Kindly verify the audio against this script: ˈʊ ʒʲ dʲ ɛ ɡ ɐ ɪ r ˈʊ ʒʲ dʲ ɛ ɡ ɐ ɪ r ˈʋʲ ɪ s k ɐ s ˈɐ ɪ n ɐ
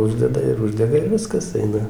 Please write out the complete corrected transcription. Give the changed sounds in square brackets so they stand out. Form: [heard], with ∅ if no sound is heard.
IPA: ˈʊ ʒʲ dʲ ɛ [d] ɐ ɪ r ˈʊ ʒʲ dʲ ɛ ɡ ɐ ɪ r ˈʋʲ ɪ s k ɐ s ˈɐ ɪ n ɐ